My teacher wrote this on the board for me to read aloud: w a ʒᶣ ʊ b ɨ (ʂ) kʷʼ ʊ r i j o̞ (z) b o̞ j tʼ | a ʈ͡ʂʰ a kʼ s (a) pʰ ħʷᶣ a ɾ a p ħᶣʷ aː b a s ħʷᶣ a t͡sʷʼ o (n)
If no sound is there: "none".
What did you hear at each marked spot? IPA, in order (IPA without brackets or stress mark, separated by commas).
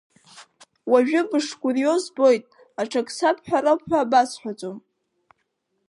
ʂ, z, a, m